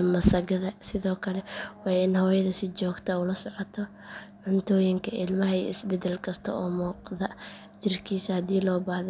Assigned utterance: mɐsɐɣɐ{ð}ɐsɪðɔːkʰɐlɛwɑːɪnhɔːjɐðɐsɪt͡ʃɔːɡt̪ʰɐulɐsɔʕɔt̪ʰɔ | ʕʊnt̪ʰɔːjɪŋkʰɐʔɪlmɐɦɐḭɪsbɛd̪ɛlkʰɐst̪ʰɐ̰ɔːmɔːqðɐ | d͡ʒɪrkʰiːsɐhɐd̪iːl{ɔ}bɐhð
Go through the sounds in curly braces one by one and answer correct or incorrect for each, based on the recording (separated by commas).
correct, incorrect